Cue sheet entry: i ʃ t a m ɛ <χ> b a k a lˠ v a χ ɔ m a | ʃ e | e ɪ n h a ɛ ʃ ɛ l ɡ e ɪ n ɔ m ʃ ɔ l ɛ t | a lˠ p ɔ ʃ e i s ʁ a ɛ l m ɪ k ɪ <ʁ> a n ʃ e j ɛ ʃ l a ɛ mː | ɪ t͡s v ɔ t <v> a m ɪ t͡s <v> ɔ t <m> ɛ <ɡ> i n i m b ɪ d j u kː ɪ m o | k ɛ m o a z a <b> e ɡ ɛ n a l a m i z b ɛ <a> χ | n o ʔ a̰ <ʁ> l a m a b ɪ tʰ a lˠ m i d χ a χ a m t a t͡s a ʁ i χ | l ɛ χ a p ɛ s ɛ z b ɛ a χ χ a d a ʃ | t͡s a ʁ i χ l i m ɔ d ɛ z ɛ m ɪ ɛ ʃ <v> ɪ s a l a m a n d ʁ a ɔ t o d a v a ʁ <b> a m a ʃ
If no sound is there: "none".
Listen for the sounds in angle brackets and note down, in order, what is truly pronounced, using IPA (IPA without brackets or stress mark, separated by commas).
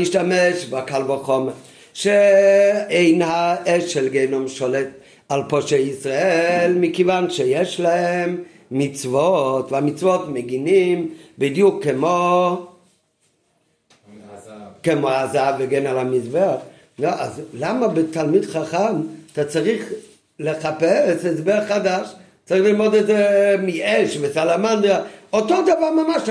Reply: ʃ, v, v, v, m, ɡ, v, a, z, v, m